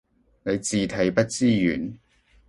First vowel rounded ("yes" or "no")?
no